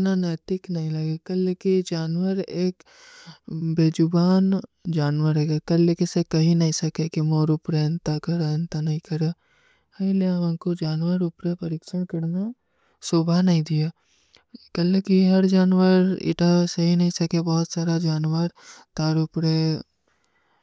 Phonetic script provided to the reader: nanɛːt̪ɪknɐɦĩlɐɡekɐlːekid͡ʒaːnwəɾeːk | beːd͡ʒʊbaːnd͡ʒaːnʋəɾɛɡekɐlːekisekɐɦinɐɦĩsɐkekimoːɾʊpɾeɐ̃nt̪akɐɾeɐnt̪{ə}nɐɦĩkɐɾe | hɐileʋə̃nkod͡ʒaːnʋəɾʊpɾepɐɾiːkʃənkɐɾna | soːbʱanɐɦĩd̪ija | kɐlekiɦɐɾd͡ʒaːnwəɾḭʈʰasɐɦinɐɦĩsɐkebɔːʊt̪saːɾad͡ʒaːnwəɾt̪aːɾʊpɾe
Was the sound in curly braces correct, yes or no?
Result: no